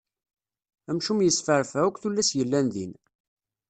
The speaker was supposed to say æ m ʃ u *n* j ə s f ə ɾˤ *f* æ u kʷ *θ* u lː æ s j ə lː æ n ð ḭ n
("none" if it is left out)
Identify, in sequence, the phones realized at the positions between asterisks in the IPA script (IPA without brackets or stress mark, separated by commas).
m, f, θ